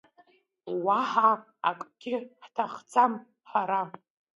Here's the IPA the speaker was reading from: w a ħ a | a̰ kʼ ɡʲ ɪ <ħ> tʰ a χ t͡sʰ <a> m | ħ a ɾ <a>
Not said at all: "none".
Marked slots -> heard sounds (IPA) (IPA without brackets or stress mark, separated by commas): ħ, a, a